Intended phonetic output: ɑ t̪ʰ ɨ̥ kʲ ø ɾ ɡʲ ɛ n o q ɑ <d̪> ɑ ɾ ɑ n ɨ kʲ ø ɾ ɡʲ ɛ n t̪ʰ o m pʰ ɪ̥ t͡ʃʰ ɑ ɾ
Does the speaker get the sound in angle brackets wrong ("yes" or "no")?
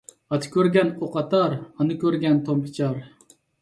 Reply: yes